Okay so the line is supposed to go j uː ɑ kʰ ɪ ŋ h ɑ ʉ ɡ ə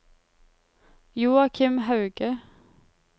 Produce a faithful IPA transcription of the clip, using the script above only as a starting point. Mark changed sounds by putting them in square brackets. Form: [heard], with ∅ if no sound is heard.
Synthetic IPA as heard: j uː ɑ kʰ ɪ [m] h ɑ ʉ ɡ ə